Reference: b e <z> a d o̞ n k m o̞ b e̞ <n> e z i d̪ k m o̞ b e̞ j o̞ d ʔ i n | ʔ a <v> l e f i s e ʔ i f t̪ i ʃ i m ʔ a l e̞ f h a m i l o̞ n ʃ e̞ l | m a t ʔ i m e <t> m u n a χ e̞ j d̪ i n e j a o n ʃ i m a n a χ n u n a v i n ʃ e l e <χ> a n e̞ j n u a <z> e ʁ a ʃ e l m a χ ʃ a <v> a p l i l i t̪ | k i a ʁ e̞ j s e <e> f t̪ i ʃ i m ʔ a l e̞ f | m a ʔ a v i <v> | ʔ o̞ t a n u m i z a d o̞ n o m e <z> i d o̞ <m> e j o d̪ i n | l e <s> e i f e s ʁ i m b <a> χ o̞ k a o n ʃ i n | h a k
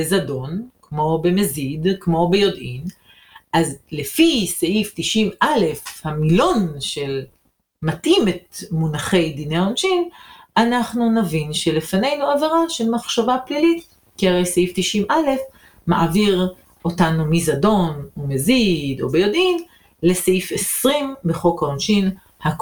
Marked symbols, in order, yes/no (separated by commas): yes, no, no, yes, no, no, yes, no, no, yes, no, yes, no